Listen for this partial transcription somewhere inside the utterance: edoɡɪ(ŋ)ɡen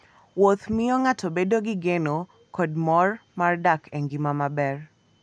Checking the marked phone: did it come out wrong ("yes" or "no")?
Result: yes